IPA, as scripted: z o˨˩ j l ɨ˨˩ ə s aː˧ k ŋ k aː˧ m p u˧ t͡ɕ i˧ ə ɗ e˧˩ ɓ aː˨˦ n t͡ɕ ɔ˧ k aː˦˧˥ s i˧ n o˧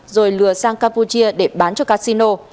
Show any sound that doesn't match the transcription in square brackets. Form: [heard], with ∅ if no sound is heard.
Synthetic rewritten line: z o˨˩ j l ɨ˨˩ ə s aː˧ [∅] ŋ k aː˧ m p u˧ t͡ɕ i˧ ə ɗ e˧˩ ɓ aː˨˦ n t͡ɕ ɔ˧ k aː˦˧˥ s i˧ n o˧